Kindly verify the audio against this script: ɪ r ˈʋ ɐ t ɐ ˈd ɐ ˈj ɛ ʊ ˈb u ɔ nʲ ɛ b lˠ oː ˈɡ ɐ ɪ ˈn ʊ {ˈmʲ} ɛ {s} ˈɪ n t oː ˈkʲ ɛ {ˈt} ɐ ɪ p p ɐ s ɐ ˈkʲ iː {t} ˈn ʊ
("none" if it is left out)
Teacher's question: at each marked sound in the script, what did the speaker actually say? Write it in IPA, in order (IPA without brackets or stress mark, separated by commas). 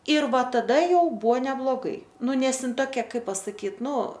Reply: nʲ, s, k, t